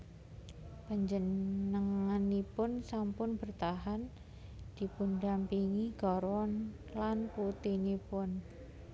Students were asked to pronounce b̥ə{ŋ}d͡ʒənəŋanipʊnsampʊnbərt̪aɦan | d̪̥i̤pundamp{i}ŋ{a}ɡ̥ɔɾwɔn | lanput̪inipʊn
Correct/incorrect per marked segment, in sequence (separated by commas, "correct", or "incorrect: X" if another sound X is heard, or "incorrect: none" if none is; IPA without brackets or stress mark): incorrect: ɲ, correct, incorrect: i